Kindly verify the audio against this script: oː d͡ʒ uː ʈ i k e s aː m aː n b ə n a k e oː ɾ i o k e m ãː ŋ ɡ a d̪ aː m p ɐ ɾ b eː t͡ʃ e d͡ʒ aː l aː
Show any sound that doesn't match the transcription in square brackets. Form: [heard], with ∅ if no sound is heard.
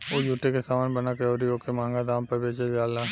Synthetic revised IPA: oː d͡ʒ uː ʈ [e] k e s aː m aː n b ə n a k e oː ɾ i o k e m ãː ŋ ɡ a d̪ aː m p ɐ ɾ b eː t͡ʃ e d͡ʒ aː l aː